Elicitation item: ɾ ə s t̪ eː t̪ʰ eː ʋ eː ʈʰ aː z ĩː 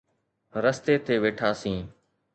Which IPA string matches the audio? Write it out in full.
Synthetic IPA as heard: ɾ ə s t̪ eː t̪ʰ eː ʋ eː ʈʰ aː s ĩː